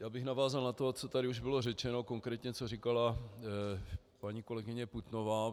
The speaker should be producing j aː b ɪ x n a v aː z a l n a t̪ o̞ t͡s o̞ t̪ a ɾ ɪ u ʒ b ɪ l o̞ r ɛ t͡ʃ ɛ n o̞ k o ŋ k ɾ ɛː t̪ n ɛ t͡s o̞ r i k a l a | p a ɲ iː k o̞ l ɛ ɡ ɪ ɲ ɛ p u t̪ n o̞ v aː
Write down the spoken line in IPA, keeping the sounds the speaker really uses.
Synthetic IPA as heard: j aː b ɪ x n a v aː z a l n a t̪ o̞ t͡s o̞ t̪ a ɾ ɪ u ʒ b ɪ l o̞ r ɛ t͡ʃ ɛ n o̞ k o ŋ k ɾ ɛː t̪ ɲ ɛ t͡s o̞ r i k a l a | p a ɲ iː k o̞ l ɛ ɡ ɪ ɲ ɛ p u t̪ n o̞ v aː